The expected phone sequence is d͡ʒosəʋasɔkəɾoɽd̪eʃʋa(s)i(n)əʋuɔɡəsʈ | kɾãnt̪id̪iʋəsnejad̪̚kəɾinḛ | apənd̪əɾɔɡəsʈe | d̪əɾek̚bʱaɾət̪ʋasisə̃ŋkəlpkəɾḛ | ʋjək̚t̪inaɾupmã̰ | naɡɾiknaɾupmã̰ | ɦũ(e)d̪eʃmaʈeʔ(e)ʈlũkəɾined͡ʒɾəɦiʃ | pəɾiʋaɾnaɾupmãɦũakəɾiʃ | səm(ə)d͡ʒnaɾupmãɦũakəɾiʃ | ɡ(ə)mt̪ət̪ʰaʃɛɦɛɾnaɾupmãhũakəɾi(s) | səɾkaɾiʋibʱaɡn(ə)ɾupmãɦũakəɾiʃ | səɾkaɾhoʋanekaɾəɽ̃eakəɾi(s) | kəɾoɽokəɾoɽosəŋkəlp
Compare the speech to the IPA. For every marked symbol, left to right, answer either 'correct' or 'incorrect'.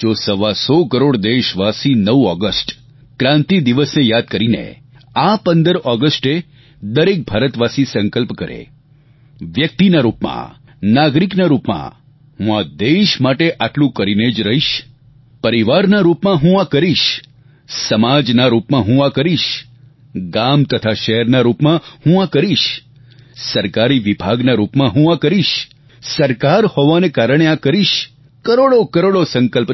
correct, correct, incorrect: a, incorrect: a, incorrect: a, incorrect: a, incorrect: ʃ, incorrect: a, incorrect: ʃ

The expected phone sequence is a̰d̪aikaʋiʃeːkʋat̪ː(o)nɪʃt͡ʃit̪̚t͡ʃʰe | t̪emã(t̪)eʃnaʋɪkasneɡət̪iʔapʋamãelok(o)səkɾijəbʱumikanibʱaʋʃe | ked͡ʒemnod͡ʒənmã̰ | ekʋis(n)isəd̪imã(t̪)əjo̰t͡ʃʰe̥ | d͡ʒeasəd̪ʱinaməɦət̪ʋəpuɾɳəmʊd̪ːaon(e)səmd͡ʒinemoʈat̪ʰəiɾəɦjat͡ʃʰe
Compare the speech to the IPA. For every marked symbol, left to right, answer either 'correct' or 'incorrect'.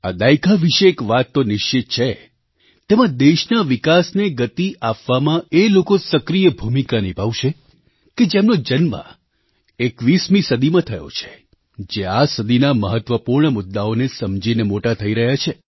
correct, incorrect: d̪, correct, incorrect: m, incorrect: t̪ʰ, correct

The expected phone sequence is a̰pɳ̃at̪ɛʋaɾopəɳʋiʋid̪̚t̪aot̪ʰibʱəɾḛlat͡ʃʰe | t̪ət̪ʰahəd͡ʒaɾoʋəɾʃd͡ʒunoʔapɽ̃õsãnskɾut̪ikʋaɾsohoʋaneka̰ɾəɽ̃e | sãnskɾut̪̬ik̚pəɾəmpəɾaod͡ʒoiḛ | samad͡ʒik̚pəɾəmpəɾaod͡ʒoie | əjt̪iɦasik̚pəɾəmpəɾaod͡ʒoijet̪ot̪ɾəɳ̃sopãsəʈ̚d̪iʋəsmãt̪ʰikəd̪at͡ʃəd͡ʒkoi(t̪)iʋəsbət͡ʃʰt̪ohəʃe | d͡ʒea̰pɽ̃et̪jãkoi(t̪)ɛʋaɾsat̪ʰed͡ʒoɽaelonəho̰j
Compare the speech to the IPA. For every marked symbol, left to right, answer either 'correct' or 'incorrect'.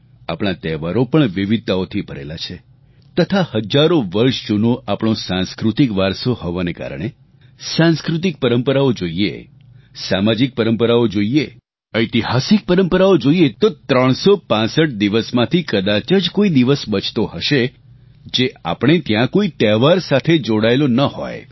incorrect: d̪, correct

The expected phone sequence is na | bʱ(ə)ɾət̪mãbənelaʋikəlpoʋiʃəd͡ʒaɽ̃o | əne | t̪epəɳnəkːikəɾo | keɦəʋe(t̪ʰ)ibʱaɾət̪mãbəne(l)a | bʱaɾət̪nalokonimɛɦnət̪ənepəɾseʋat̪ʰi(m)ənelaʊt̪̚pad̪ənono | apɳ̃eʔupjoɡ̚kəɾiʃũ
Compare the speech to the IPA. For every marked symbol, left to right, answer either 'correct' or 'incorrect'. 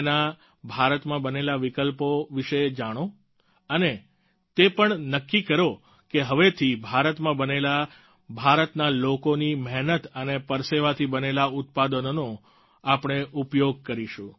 incorrect: a, correct, correct, incorrect: b

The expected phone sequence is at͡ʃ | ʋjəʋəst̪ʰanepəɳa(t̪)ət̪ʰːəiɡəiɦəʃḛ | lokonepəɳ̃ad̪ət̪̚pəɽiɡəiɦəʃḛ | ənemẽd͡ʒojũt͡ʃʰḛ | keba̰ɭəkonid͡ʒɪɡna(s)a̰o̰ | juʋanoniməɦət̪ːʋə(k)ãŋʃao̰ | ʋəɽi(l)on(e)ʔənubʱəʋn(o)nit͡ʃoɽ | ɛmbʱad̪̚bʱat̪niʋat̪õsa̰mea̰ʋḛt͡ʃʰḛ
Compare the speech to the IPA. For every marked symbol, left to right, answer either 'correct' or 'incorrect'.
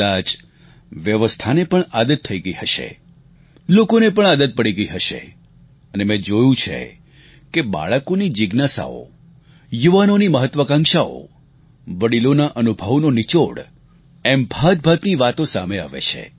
incorrect: d̪, correct, correct, correct, incorrect: a, correct

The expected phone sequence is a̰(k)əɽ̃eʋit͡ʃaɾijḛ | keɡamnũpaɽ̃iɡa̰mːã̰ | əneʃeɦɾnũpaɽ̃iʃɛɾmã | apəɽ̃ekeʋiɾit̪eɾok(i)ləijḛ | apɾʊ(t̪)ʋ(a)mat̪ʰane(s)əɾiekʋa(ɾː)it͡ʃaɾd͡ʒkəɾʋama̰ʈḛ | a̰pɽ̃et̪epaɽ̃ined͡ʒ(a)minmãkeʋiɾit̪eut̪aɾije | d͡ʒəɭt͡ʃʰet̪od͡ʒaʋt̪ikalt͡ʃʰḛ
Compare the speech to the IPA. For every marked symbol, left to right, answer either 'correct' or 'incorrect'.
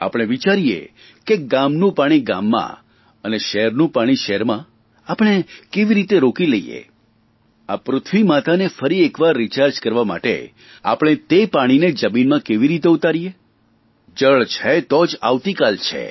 incorrect: p, correct, incorrect: t̪ʰ, incorrect: i, incorrect: f, correct, incorrect: ə

